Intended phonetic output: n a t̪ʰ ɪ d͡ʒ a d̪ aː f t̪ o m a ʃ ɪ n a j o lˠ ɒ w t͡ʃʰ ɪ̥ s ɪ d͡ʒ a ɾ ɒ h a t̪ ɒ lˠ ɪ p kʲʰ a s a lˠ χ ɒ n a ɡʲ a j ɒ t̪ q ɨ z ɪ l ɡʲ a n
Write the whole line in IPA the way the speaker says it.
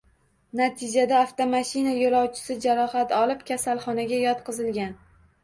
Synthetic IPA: n a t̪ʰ ɪ d͡ʒ a d̪ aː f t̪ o m a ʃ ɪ n a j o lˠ ɒ w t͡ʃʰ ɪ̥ s ɪ d͡ʒ a ɾ ɒ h a t̪ ɒ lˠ ɪ p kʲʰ a s a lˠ χ ɒ n a ɡʲ a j ɒ t̪ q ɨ z ɪ l ɡʲ a n